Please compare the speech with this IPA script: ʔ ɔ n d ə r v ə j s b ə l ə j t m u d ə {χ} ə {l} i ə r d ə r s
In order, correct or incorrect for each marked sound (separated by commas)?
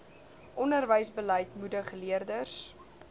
correct, correct